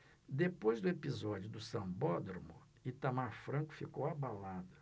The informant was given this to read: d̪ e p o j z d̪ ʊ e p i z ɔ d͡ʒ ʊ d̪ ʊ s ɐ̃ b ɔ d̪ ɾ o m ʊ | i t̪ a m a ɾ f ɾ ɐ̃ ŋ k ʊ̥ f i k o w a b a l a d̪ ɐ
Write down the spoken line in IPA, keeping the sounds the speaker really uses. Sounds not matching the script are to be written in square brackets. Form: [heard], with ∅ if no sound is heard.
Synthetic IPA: d̪ e p o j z d̪ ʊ e p i z ɔ d͡ʒ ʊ d̪ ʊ s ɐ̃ b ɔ d̪ ɾ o m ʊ | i t̪ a m a ɾ f ɾ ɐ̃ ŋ k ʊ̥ f i k o w a b a l a d̪ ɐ